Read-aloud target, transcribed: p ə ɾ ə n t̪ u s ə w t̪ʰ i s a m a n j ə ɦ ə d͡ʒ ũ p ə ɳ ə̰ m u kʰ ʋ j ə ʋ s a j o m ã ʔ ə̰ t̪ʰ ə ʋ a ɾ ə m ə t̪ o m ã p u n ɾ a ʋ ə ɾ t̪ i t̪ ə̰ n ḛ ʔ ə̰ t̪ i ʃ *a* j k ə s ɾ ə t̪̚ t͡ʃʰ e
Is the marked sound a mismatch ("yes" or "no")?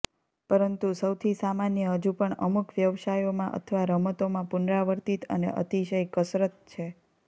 yes